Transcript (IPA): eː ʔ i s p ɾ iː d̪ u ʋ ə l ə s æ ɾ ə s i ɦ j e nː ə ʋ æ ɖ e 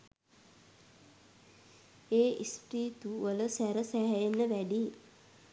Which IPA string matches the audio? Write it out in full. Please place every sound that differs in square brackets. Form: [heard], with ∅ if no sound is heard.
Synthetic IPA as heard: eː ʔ i s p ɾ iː [t̪] u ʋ ə l ə s æ ɾ ə s [æ] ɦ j e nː ə ʋ æ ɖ [i]